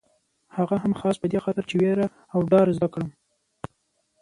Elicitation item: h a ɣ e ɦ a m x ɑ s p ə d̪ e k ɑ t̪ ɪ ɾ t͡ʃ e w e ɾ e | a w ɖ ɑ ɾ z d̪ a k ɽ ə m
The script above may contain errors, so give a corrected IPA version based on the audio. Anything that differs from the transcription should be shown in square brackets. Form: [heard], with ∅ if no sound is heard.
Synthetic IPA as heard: h a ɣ [a] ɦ a m x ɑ s p ə d̪ e [x] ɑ t̪ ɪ ɾ t͡ʃ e w e ɾ [a] | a w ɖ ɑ ɾ z d̪ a k ɽ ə m

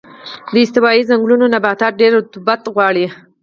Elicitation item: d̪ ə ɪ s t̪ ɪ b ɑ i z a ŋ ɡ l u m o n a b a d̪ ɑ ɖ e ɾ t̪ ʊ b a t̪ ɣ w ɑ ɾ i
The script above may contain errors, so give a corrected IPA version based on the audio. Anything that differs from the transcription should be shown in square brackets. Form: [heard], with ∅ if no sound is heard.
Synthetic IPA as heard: d̪ ə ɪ s t̪ ɪ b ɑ i z a ŋ ɡ l u [n] o n a b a [t̪] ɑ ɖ e ɾ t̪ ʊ b a t̪ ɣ w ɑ [ɽ] i

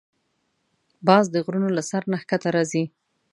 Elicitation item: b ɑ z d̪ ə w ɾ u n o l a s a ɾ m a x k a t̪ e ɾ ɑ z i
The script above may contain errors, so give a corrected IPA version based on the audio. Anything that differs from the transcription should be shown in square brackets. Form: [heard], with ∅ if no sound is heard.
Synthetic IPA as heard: b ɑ z d̪ ə [ɣ] ɾ u n o l a s a ɾ [n] a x k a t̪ [a] ɾ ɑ z i

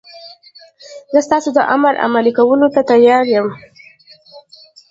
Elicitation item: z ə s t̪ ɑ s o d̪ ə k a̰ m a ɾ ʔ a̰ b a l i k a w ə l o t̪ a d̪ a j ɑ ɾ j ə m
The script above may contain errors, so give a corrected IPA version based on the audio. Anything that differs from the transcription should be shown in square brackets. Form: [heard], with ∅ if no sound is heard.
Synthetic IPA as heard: z ə s t̪ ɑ s o d̪ ə [ʔ] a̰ m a ɾ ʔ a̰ [m] a l i k a w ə l o t̪ a [t̪] a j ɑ ɾ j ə m

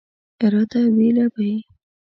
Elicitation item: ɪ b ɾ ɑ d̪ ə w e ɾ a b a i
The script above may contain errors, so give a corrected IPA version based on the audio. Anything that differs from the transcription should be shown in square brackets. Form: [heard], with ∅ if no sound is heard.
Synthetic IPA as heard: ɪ [∅] ɾ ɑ d̪ [a] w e [l] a b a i

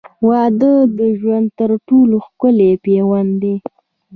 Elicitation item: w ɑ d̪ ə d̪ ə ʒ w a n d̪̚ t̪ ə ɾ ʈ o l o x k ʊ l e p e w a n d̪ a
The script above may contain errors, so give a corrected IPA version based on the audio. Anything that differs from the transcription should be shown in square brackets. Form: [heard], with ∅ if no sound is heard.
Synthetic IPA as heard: w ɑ d̪ ə d̪ ə ʒ w a n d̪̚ t̪ ə ɾ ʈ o l o x k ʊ l e p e w a n d̪ [e]

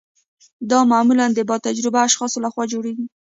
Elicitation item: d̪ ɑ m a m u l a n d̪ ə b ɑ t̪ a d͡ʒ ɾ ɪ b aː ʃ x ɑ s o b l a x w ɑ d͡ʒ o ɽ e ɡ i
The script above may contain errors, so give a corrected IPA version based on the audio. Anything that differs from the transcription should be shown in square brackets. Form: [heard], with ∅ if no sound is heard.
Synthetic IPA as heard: d̪ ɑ m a m u l a n d̪ ə b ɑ t̪ a d͡ʒ ɾ ɪ b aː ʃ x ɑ s o [∅] l a x w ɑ d͡ʒ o ɽ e ɡ i

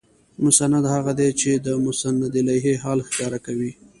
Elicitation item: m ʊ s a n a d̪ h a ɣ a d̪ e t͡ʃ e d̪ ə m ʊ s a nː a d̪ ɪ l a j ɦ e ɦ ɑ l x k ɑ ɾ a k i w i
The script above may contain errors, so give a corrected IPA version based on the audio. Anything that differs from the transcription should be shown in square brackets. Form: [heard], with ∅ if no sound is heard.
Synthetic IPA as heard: m ʊ s a n a d̪ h a ɣ a d̪ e t͡ʃ e d̪ ə m ʊ s a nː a d̪ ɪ l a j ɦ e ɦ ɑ l x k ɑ ɾ a k [a] w i

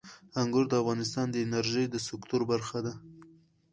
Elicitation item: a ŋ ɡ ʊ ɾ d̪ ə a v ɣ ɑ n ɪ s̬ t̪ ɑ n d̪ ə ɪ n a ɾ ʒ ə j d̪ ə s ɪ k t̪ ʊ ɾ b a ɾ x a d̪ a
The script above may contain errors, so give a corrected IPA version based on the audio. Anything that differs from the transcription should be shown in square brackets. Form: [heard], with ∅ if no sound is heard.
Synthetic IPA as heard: a ŋ ɡ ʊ ɾ d̪ ə a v ɣ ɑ n ɪ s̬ t̪ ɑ n d̪ ə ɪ n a ɾ ʒ ə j d̪ ə s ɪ k t̪ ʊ ɾ b a ɾ x a d̪ a

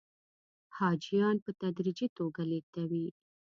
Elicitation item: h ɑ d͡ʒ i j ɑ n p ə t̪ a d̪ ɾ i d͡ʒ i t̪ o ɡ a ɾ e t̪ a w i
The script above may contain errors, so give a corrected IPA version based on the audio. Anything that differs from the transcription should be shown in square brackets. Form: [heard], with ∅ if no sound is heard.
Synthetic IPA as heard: h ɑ d͡ʒ i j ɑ n p ə t̪ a d̪ ɾ i d͡ʒ i t̪ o ɡ a [l] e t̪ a w i

